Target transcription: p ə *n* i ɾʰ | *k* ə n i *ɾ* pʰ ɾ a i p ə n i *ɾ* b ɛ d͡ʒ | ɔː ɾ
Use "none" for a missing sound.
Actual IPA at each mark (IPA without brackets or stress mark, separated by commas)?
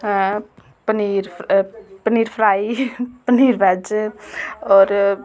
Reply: n, p, ɾ, ɾ